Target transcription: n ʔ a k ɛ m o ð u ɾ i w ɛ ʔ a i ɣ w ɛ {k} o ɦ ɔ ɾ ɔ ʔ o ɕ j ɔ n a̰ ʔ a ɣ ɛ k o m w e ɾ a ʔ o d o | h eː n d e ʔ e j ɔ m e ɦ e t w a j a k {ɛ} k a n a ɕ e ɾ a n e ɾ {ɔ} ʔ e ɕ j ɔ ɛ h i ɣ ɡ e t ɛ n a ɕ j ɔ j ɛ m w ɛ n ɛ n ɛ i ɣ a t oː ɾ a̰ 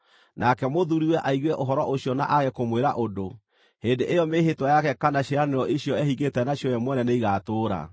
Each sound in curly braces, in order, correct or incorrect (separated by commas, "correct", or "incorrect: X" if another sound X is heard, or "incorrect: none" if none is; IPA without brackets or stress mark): incorrect: ʔ, correct, correct